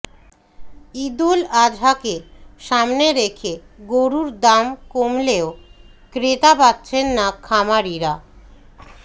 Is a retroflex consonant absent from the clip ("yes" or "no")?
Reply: yes